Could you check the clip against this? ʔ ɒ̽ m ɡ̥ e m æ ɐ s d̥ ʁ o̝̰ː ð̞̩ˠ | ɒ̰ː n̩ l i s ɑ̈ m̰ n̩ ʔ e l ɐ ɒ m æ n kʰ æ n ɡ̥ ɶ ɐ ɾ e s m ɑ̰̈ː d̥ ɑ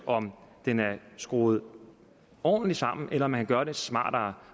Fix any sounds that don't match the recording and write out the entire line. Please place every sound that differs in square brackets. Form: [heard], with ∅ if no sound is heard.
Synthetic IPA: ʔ ɒ̽ m [d̥] e [n] æ ɐ s [ɡ̥] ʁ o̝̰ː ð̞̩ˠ | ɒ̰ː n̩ l i s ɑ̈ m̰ n̩ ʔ e l ɐ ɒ m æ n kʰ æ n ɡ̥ ɶ ɐ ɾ e s m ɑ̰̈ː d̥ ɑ

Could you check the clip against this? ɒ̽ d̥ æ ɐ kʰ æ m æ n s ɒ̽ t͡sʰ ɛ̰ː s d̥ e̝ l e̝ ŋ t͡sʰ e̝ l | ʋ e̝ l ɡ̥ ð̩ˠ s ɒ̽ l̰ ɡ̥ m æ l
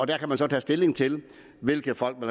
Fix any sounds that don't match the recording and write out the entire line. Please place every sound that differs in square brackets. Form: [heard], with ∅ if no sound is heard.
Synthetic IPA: ɒ̽ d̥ æ ɐ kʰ æ m æ n s ɒ̽ t͡sʰ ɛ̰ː s d̥ e̝ l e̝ ŋ t͡sʰ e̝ l | ʋ e̝ l ɡ̥ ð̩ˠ [f] ɒ̽ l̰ ɡ̥ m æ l

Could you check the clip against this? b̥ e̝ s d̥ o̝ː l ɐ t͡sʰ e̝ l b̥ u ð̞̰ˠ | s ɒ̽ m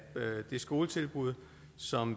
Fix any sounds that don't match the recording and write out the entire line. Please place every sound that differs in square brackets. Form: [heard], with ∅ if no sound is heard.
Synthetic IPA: [d̥] e̝ s [ɡ̥] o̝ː l [ə] t͡sʰ e̝ l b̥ u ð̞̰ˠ | s ɒ̽ m

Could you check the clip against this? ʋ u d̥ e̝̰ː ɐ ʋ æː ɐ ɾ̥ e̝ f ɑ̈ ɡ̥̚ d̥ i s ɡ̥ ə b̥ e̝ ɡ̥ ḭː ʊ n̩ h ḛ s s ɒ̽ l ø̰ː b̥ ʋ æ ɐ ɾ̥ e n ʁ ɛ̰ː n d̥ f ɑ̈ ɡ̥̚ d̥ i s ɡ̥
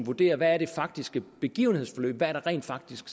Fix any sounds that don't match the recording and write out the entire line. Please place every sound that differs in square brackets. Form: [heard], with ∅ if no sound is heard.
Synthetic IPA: ʋ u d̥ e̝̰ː ɐ ʋ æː ɐ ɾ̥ e̝ f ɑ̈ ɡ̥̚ d̥ i s ɡ̥ ə b̥ e̝ ɡ̥ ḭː ʊ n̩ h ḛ s [f] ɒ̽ l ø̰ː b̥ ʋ æ ɐ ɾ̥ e [∅] ʁ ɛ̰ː n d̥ f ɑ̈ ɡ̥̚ d̥ i s ɡ̥

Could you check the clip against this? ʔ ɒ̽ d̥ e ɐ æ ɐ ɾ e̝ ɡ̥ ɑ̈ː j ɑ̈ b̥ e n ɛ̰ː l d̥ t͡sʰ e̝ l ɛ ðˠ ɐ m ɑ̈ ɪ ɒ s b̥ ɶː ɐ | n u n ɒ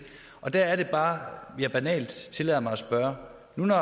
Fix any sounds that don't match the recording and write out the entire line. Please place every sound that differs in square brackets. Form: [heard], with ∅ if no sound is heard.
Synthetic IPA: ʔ ɒ̽ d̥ [æ] ɐ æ ɐ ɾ e̝ [b̥] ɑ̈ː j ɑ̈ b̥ [æ] n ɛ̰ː l d̥ t͡sʰ e̝ l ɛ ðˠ ɐ m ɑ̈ ɪ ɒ s b̥ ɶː ɐ | n u n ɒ

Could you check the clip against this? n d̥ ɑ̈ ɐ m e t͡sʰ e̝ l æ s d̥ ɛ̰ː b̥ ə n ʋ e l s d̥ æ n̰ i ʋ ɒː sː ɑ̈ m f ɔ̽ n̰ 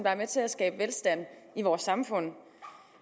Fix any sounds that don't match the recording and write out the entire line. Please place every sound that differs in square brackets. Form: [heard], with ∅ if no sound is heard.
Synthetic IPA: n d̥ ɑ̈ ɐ m e t͡sʰ e̝ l æ s [ɡ̥] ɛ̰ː b̥ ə [∅] ʋ e l s d̥ æ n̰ i ʋ ɒː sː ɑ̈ m f ɔ̽ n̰

